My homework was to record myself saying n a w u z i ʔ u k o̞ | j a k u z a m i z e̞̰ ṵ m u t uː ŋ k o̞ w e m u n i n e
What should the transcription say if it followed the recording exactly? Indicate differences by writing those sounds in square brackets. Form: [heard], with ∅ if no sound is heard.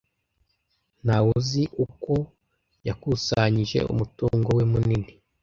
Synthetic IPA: n a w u z i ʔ u k o̞ | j a k u [s] a [ɲ] i [ʒ] e̞̰ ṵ m u t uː ŋ [ɡ] o̞ w e m u n i n [i]